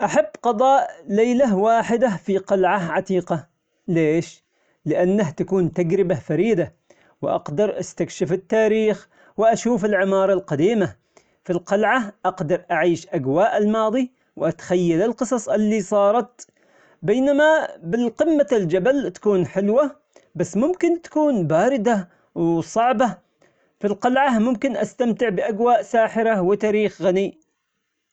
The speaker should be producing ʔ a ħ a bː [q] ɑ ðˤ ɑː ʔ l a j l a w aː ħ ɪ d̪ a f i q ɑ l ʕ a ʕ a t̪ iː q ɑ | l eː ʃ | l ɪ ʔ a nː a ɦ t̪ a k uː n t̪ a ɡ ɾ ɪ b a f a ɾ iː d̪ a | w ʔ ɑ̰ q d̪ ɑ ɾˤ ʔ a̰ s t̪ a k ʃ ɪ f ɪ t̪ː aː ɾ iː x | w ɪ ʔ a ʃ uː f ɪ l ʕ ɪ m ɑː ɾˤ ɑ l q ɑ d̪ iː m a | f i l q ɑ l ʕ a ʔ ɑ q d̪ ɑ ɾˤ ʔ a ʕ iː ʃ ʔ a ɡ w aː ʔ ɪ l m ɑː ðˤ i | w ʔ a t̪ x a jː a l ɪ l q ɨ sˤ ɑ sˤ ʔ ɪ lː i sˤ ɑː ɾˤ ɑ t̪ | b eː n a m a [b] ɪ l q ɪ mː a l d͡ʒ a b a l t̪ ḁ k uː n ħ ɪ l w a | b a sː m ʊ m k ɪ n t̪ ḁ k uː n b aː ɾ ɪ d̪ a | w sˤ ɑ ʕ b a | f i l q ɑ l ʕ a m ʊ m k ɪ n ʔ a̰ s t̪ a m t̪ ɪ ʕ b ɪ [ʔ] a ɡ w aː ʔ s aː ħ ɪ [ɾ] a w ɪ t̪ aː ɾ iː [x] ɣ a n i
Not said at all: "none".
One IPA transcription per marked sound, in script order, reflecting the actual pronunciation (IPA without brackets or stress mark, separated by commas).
q, b, ʔ, ɾ, x